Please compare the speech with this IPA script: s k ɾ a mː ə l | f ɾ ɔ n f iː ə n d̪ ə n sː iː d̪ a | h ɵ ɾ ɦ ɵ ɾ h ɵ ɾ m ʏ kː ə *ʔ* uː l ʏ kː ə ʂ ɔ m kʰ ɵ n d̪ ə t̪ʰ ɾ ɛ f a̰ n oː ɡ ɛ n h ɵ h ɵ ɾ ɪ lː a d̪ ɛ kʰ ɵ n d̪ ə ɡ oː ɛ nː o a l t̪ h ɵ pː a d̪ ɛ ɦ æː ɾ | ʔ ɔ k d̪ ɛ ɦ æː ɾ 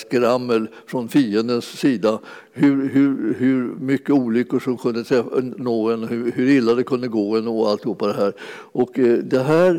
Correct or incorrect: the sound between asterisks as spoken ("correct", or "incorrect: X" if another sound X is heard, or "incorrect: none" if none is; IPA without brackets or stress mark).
incorrect: none